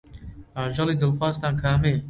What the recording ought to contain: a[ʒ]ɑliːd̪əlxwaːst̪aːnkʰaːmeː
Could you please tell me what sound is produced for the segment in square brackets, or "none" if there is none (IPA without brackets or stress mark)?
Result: ʒ